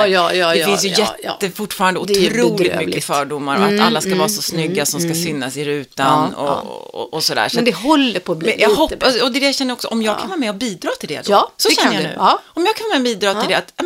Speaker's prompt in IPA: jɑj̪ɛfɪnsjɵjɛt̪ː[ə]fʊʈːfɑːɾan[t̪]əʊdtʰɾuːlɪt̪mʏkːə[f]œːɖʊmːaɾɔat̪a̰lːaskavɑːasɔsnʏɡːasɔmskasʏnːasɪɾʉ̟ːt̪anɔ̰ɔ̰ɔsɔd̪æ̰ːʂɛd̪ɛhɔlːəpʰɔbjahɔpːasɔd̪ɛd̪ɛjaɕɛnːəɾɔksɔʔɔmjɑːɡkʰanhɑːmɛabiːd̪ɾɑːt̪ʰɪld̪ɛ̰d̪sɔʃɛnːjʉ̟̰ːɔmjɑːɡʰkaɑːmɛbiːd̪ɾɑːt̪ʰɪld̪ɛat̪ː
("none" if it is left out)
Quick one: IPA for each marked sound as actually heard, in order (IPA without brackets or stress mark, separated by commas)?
ə, d̪, f